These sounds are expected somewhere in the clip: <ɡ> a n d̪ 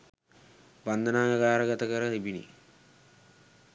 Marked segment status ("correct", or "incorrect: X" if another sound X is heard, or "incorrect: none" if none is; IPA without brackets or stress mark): incorrect: b